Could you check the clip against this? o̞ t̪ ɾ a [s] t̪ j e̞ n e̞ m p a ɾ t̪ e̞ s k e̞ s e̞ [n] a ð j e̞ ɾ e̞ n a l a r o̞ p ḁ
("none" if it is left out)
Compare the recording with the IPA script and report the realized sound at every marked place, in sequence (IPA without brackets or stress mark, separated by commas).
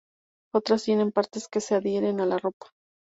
s, none